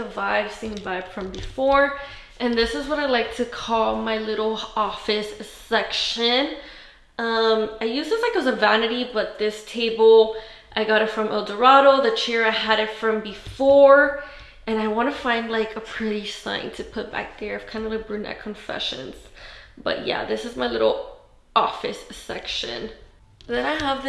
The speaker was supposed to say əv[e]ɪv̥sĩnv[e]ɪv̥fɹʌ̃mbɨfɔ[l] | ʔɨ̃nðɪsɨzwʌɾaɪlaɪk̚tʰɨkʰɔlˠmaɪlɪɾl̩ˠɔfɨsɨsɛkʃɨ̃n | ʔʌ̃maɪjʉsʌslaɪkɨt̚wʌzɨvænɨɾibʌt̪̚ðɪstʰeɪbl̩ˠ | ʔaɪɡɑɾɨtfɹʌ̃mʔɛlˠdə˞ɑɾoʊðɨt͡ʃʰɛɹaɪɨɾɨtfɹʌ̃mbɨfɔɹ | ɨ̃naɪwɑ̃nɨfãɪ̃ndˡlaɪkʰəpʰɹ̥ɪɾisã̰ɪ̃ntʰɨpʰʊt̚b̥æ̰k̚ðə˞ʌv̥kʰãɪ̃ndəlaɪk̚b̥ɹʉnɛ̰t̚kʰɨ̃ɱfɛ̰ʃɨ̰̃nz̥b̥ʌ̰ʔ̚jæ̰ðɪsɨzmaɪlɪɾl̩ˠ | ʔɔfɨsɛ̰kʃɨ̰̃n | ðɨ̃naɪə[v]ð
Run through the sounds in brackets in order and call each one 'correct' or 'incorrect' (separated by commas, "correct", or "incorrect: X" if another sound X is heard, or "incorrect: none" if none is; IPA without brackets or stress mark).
incorrect: a, incorrect: a, incorrect: ɹ, correct